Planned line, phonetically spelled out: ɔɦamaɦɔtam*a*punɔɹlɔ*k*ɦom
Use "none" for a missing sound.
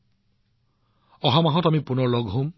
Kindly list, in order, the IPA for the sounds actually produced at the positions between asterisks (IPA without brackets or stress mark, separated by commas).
i, ɡ